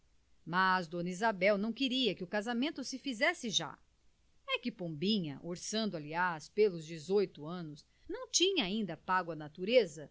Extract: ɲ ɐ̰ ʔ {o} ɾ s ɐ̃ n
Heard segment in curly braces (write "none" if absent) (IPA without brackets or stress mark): o